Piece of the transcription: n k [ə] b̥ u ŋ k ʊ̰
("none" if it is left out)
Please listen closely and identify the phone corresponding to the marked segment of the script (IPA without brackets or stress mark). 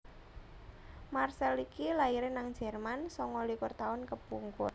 ə